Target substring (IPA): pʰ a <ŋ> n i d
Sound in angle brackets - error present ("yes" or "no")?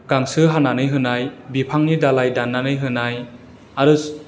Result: no